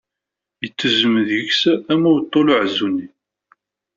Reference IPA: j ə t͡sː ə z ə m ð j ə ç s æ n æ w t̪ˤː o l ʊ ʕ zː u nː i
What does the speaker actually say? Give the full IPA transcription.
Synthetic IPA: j ə t͡sː ə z ə m ð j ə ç s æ m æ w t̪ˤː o l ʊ ʕ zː u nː i